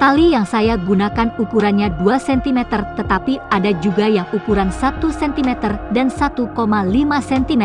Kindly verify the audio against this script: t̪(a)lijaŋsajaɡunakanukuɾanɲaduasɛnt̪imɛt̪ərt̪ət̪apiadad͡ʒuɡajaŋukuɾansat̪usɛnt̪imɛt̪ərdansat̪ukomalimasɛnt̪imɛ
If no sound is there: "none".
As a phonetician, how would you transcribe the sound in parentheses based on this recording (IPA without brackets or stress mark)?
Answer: a